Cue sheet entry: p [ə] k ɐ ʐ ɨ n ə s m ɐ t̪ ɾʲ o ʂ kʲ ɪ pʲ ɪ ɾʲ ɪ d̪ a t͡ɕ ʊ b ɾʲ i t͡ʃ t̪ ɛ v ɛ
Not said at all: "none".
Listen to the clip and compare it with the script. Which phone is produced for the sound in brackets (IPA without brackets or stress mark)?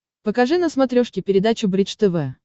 ə